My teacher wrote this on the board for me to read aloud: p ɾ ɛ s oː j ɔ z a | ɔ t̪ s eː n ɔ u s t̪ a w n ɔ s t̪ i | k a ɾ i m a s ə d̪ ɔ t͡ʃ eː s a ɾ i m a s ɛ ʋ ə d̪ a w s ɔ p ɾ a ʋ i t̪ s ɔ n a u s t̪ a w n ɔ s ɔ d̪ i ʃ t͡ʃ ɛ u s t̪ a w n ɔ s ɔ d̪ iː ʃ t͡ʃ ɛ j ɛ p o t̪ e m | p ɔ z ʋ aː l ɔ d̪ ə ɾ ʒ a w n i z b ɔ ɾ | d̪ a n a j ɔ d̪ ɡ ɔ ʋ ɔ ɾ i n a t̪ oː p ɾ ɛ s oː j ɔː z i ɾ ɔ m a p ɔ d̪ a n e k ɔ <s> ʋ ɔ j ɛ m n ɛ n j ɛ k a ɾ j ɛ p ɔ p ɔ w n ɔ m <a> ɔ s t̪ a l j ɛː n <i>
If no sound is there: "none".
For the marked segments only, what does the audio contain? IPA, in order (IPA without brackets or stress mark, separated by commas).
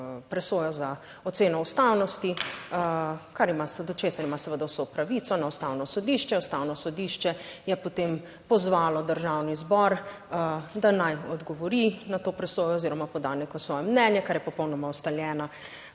s, a, a